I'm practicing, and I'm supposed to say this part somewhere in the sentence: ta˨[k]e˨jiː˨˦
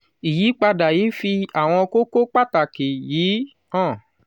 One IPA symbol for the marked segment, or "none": k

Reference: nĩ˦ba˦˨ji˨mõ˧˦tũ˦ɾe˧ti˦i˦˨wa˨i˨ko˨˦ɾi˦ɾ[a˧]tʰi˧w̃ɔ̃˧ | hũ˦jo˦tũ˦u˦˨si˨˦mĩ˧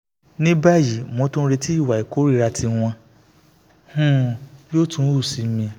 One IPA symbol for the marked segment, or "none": a˧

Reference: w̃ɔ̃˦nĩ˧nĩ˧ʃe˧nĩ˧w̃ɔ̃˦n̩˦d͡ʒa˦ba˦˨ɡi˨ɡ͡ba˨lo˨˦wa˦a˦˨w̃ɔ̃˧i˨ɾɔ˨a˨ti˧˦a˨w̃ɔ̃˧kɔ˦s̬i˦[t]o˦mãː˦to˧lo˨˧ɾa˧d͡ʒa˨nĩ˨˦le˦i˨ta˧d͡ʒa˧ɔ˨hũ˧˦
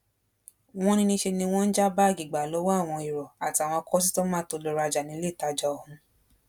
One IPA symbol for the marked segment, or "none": t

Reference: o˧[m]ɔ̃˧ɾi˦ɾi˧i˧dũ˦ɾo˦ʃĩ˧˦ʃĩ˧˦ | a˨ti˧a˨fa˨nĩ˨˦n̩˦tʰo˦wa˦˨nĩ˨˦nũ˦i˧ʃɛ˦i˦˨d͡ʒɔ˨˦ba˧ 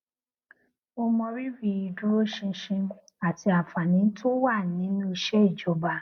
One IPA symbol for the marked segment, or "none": m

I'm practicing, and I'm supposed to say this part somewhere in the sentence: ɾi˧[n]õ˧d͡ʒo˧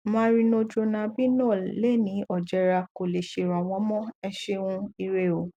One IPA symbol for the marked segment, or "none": n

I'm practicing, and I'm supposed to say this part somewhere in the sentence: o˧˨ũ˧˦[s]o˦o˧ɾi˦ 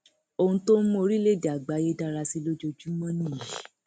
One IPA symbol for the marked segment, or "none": t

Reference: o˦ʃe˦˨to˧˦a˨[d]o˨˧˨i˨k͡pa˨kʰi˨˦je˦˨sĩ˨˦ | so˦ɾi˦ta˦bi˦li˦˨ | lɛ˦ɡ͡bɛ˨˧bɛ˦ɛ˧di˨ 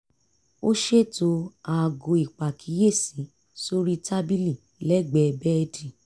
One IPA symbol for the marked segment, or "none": ɡ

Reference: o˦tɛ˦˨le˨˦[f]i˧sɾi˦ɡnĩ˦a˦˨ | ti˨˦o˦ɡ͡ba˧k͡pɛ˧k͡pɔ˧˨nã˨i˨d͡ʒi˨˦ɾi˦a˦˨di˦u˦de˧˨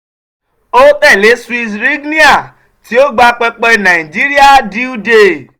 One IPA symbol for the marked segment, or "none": s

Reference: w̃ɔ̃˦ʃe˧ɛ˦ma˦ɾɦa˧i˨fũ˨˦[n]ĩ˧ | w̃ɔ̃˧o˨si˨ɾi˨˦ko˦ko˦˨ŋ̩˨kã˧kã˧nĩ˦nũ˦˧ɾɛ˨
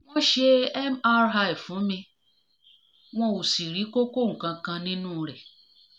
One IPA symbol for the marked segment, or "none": m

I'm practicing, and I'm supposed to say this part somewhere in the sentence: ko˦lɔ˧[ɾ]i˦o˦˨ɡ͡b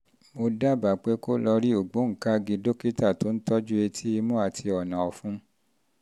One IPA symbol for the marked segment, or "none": ɾ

